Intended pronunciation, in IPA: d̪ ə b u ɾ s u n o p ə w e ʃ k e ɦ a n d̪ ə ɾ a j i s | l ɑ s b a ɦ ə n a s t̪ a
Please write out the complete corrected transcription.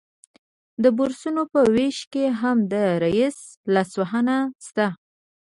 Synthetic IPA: d̪ ə b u ɾ s u n o p ə w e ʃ k e ɦ a m d̪ ə ɾ a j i s | l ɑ s w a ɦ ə n a s t̪ a